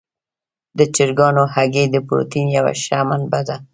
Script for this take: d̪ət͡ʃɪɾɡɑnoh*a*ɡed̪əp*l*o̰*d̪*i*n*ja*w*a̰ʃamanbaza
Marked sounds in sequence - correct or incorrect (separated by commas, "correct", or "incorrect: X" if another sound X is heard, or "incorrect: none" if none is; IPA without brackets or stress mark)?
correct, incorrect: ɾ, incorrect: t̪, correct, correct